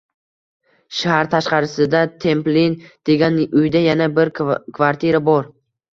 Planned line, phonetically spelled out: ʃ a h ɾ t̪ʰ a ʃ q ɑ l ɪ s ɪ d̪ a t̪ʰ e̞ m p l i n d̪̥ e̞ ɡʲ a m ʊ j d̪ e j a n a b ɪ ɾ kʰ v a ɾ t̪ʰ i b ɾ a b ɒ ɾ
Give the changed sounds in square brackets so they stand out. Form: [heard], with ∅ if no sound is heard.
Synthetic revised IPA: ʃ a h ɾ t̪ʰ a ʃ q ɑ [ɾ] ɪ s ɪ d̪ a t̪ʰ e̞ m p l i n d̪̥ e̞ ɡʲ a [n] ʊ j d̪ [a] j a n a b ɪ ɾ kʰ v a ɾ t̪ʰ i [∅] ɾ a b ɒ ɾ